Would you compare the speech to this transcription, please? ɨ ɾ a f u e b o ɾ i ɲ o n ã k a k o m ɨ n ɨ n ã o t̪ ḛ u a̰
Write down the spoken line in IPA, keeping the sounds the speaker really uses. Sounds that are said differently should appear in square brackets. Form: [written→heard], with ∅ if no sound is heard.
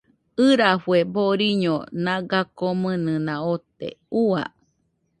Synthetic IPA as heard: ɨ ɾ a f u e b o ɾ i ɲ o n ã [k→ɡ] a k o m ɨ n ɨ n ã o t̪ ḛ u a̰